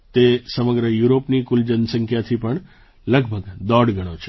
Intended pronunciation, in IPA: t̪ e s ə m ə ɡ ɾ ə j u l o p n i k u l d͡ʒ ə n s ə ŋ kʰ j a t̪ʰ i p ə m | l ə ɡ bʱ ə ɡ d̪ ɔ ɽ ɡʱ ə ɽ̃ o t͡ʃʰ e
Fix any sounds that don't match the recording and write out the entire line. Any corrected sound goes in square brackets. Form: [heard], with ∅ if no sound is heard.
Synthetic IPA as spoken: t̪ e s ə m ə ɡ ɾ ə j u [ɾ] o p n i k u l d͡ʒ ə n s ə ŋ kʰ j a t̪ʰ i p ə [ɳ] | l ə ɡ bʱ ə ɡ d̪ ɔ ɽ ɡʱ ə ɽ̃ o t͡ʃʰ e